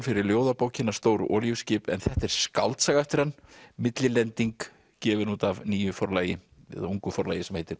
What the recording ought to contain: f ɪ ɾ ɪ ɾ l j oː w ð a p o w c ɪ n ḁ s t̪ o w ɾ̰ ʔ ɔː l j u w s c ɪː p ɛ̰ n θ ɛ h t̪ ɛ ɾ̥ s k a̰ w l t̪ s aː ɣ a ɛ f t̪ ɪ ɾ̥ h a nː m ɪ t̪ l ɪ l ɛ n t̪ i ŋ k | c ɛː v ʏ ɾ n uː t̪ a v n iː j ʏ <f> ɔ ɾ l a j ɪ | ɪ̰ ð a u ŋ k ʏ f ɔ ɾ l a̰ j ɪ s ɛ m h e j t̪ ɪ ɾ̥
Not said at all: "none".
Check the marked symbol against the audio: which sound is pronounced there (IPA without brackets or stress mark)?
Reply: f